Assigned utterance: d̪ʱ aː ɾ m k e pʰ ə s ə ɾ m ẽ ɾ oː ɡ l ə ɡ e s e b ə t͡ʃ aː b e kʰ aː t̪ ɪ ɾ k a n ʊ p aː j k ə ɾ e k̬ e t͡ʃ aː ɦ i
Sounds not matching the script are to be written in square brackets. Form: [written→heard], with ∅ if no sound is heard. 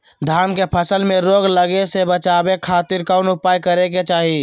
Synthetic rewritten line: d̪ʱ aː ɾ m k e pʰ ə s ə [ɾ→l] m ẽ ɾ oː ɡ l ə ɡ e s e b ə t͡ʃ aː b e kʰ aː t̪ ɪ ɾ k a n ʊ p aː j k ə ɾ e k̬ e t͡ʃ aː ɦ i